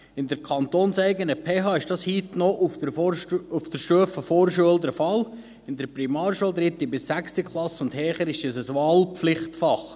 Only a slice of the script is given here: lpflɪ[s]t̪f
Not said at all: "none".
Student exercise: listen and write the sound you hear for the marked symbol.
χ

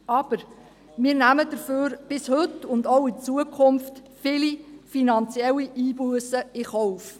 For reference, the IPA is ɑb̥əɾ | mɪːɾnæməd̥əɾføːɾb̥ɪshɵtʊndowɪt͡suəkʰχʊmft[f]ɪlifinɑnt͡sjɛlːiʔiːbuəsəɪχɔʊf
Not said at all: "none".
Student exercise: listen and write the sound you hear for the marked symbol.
f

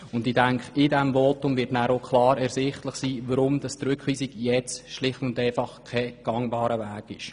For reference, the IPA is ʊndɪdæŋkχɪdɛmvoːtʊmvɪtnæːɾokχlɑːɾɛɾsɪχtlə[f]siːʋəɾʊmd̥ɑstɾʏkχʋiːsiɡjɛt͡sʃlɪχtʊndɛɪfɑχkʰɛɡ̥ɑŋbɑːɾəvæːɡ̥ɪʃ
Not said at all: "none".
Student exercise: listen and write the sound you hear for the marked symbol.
χ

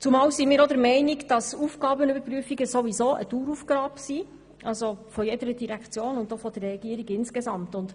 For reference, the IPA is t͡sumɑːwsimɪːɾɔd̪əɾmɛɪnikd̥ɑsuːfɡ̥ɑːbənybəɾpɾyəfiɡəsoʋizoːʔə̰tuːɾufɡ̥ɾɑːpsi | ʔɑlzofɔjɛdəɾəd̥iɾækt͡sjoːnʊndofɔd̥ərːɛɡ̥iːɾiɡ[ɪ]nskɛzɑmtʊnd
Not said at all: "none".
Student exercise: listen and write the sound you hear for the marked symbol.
ɪ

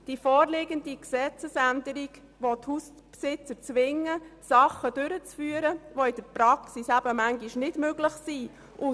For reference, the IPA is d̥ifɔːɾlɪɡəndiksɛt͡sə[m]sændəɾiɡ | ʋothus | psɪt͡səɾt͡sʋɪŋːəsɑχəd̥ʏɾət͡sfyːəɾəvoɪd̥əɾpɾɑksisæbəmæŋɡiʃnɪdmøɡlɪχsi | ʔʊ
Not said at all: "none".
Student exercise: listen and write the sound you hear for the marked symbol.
none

